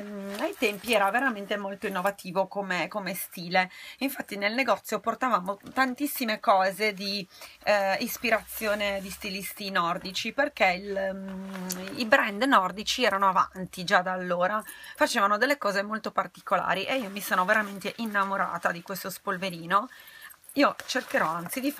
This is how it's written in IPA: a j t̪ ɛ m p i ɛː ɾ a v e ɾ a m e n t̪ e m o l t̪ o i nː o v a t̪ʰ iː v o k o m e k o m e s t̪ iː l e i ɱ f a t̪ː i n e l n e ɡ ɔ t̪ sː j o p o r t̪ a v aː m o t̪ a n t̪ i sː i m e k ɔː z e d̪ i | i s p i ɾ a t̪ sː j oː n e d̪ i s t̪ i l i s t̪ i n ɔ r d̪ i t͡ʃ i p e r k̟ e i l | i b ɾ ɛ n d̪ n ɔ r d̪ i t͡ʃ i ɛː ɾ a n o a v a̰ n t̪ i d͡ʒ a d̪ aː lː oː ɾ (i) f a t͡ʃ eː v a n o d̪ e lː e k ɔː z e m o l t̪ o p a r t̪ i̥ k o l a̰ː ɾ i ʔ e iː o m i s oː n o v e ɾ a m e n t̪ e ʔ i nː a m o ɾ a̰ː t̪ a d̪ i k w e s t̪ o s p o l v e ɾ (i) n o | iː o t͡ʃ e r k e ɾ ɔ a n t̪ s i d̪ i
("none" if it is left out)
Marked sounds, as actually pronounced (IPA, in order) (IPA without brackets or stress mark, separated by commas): a, iː